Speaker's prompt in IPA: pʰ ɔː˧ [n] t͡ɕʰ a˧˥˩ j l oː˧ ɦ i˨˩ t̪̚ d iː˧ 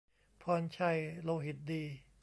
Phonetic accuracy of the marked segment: correct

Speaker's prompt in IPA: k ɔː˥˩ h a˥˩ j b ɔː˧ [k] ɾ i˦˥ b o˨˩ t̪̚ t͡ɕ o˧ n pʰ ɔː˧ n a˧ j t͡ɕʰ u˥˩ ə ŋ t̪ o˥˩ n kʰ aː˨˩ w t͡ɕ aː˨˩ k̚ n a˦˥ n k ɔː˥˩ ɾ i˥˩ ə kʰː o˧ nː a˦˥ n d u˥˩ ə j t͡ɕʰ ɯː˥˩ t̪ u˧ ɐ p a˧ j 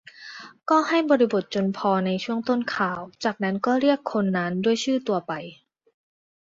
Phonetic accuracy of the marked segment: incorrect: none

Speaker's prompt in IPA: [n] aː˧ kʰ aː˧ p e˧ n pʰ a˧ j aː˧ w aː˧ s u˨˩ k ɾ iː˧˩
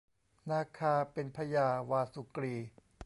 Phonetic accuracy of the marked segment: correct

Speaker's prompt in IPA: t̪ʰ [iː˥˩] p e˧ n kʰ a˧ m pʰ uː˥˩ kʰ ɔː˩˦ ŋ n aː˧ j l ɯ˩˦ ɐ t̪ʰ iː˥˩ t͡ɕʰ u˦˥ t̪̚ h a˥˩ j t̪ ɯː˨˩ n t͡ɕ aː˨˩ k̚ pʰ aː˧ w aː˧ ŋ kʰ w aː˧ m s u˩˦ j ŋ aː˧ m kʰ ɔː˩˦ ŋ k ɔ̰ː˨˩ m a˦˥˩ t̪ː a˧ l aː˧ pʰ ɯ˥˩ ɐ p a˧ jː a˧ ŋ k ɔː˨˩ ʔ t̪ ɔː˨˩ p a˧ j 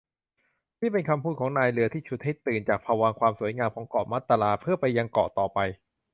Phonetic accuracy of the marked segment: correct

